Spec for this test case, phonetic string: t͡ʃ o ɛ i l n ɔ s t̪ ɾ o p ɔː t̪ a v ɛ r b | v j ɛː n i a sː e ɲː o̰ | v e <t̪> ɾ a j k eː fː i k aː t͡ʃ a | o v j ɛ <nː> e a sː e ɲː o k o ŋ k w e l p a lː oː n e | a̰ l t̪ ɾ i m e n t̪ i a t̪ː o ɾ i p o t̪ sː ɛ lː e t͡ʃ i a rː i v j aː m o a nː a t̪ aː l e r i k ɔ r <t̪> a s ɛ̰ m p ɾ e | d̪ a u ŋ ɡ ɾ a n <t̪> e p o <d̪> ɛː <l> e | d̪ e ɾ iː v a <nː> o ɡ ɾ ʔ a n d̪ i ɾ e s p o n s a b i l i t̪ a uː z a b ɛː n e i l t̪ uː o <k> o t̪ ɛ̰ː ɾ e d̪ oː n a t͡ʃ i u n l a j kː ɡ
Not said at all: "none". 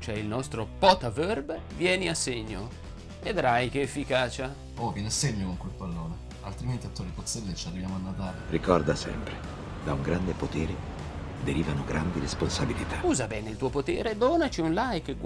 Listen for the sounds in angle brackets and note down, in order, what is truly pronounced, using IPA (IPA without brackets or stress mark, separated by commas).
d̪, n, d̪, d̪, t̪, ɾ, n, p